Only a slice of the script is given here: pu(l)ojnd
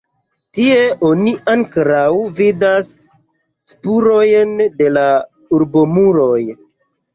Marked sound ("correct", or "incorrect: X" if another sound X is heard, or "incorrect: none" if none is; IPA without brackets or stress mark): incorrect: ɾ